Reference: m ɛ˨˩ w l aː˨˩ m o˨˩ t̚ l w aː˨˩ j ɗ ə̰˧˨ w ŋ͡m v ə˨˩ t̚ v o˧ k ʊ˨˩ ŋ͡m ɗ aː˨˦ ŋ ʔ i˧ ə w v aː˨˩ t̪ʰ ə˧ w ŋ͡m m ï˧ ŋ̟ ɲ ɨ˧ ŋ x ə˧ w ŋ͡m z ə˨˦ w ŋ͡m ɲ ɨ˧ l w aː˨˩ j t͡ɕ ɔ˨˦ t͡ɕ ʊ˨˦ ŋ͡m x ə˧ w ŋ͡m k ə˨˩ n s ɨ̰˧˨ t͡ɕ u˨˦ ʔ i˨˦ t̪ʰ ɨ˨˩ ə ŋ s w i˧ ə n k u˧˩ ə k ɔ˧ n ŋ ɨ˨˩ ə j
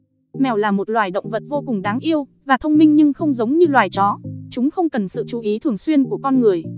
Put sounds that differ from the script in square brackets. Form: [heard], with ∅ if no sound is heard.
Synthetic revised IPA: m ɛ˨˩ w l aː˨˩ m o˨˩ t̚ l w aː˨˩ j ɗ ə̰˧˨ w ŋ͡m v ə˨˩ t̚ v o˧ k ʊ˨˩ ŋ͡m ɗ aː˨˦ ŋ ʔ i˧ ə w v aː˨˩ t̪ʰ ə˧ w ŋ͡m m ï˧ ŋ̟ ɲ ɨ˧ ŋ x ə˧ w ŋ͡m z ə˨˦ w ŋ͡m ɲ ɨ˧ l w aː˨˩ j t͡ɕ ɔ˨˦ t͡ɕ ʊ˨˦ ŋ͡m x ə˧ w ŋ͡m k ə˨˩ n s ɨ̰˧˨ t͡ɕ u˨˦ ʔ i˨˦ t̪ʰ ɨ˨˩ ə ŋ s w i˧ ə n k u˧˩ ə k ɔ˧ n ŋ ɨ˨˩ ə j